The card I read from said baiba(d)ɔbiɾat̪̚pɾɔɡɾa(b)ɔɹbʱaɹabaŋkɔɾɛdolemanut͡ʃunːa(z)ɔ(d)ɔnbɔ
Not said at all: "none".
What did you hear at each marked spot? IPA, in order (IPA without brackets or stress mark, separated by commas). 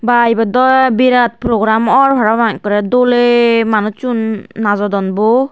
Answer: d, m, z, d